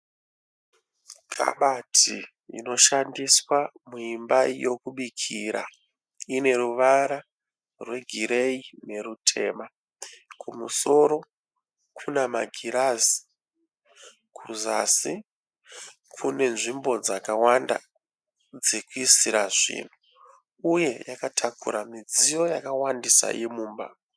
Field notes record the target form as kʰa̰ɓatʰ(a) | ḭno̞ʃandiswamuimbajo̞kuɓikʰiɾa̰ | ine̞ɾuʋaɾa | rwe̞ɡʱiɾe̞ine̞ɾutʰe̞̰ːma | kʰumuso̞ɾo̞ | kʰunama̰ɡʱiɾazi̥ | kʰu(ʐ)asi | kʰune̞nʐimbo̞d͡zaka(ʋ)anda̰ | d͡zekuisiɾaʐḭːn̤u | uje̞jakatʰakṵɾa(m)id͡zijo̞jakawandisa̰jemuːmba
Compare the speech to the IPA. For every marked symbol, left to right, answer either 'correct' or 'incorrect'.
incorrect: i, incorrect: z, incorrect: w, correct

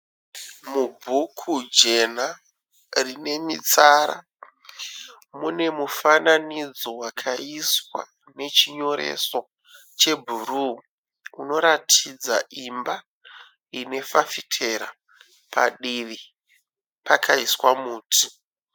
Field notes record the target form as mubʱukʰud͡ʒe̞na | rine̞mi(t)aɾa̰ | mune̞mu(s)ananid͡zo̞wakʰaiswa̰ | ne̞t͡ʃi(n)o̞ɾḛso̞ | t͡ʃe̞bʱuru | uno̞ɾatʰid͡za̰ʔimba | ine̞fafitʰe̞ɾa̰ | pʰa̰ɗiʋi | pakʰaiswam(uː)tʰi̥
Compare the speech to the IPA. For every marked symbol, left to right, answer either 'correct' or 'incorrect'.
incorrect: t͡s, incorrect: f, incorrect: ɲ, correct

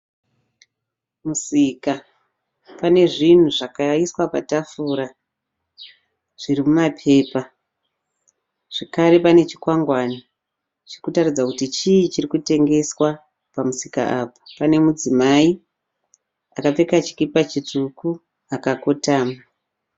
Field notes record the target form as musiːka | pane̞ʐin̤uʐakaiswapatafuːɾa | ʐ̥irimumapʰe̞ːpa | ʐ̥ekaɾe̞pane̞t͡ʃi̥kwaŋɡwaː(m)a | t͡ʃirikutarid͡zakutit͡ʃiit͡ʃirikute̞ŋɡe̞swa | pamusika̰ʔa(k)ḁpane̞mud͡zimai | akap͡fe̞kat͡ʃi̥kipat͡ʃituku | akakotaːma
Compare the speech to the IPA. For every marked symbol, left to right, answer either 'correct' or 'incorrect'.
incorrect: n, incorrect: p

